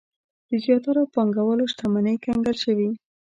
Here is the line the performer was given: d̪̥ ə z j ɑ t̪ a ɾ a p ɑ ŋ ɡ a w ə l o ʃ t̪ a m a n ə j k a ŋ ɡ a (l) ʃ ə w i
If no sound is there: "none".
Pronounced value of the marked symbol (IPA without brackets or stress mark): l